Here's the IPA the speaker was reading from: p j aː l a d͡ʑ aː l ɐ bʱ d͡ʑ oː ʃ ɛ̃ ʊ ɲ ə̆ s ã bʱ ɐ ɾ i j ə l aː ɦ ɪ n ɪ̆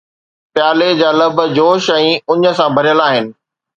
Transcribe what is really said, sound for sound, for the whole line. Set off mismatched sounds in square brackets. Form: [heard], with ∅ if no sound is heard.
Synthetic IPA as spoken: p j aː l [e] d͡ʑ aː l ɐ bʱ d͡ʑ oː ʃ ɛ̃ ʊ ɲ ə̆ s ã bʱ ɐ ɾ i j ə l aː ɦ ɪ n ɪ̆